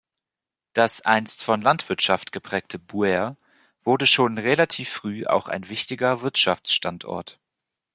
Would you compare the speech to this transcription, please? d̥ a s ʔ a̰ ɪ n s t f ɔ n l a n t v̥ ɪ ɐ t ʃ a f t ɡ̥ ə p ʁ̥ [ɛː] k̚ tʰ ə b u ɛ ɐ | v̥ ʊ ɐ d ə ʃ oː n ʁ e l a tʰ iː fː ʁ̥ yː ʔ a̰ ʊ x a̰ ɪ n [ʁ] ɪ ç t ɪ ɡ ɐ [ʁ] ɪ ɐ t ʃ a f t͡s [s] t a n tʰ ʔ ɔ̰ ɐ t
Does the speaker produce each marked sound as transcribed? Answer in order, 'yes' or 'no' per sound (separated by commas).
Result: yes, no, no, no